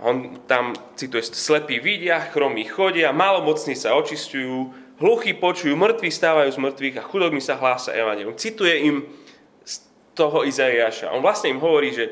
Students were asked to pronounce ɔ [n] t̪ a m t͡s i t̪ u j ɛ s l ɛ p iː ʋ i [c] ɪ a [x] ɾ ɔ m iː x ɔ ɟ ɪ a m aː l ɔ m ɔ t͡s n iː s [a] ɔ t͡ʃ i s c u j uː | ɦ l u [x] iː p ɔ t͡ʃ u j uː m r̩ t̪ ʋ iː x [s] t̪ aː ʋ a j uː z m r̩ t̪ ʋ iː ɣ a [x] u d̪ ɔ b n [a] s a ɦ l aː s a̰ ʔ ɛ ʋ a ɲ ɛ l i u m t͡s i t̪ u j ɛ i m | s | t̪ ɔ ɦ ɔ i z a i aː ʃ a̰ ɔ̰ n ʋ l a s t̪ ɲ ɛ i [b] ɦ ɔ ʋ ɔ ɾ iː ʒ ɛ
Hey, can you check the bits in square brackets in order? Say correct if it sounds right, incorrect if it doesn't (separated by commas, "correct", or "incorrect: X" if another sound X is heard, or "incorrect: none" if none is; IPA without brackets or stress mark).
correct, incorrect: ɟ, correct, correct, correct, correct, correct, incorrect: i, incorrect: m